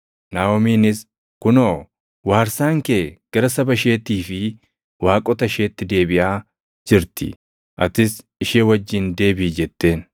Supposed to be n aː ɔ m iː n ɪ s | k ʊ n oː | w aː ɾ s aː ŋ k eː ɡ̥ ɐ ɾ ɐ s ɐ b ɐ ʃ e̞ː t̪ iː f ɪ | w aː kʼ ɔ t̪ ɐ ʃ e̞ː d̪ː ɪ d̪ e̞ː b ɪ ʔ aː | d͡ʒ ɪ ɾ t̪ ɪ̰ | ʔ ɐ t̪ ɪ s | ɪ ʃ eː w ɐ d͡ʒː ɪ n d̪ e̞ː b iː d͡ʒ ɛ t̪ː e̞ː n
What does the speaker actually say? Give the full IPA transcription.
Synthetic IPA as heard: n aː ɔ m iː n ɪ s | k ʊ n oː | w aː ɾ s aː ŋ k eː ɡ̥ ɐ ɾ ɐ s ɐ b ɐ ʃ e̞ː t̪ iː f ɪ | w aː kʼ ɔ t̪ ɐ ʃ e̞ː t̪ː ɪ d̪ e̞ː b ɪ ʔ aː | d͡ʒ ɪ ɾ t̪ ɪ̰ | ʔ ɐ t̪ ɪ s | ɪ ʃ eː w ɐ d͡ʒː ɪ n d̪ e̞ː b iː d͡ʒ ɛ t̪ː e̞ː n